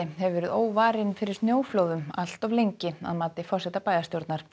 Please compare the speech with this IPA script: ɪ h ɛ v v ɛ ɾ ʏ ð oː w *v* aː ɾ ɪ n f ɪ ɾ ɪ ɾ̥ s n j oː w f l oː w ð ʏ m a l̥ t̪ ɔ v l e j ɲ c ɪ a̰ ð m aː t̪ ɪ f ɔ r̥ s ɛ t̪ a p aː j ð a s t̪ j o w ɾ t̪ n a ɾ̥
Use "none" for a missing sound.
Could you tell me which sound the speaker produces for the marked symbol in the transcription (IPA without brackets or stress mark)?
v